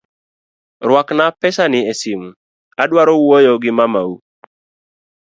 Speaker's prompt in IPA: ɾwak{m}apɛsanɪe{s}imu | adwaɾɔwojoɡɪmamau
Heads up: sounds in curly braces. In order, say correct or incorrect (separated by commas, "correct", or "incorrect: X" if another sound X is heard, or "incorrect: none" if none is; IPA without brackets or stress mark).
incorrect: n, correct